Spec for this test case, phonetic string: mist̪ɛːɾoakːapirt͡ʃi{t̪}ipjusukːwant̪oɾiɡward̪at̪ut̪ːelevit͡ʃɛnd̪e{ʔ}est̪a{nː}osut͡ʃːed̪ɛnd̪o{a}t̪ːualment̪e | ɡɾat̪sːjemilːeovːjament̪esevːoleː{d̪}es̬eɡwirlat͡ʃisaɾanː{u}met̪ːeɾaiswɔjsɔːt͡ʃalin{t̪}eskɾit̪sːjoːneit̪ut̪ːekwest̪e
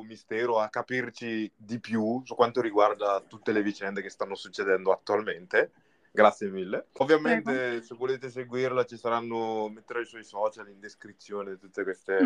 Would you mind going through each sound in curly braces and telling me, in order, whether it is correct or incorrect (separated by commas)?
incorrect, incorrect, correct, correct, incorrect, incorrect, incorrect